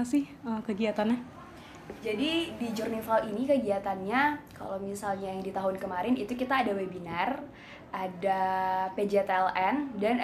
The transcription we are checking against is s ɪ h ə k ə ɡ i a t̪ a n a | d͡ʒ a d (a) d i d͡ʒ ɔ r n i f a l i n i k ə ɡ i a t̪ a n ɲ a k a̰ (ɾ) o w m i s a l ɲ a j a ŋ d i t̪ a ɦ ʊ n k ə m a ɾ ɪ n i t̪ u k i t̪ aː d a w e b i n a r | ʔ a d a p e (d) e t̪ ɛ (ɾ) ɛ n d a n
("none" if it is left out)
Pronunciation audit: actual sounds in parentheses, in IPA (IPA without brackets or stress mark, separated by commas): i, l, d͡ʒ, l